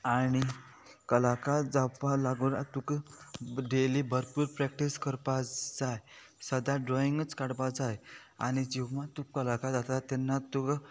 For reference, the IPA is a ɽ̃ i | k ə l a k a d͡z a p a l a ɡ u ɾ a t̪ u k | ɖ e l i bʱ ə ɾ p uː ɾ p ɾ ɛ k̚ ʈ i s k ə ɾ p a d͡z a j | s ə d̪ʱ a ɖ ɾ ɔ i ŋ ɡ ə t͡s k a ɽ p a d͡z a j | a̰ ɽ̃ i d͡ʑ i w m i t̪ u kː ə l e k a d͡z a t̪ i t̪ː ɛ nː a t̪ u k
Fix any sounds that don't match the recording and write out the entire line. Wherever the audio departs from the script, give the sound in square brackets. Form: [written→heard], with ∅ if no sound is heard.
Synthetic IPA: a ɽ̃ i | k ə l a k a d͡z a p a l a ɡ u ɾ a t̪ u k | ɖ e l i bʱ ə ɾ p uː ɾ p ɾ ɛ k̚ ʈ i s k ə ɾ p a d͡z a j | s ə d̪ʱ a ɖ ɾ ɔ i ŋ ɡ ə t͡s k a ɽ p a d͡z a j | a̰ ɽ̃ i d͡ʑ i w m [i→a] t̪ u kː ə l [e→a] k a d͡z a t̪ [i→a] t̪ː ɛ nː a t̪ u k